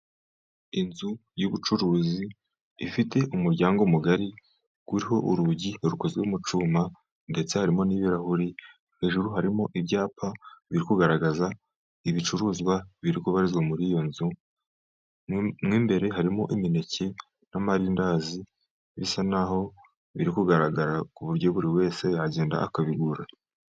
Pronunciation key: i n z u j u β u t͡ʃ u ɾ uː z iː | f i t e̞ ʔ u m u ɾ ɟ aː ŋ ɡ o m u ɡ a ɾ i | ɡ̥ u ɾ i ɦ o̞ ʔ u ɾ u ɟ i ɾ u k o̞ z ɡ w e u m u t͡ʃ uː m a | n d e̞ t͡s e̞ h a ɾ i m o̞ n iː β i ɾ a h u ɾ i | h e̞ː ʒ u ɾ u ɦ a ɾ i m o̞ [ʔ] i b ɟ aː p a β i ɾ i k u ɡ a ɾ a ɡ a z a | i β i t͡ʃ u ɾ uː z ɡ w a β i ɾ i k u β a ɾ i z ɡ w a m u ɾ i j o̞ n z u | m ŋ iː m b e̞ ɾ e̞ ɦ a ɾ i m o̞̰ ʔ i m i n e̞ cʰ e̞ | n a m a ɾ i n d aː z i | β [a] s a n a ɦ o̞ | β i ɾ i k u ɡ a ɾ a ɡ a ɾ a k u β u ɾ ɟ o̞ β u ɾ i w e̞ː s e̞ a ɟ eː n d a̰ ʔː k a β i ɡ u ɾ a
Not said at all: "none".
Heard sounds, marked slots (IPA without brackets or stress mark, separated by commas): ʔ, i